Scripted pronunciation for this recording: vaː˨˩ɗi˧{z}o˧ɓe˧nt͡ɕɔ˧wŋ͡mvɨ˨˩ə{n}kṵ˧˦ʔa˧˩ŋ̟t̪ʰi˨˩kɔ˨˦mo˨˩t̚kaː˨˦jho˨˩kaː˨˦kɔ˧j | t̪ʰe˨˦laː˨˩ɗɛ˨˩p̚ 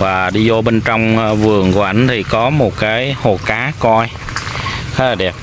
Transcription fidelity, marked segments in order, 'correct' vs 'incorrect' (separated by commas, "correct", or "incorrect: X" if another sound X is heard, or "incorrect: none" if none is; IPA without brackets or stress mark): correct, incorrect: ŋ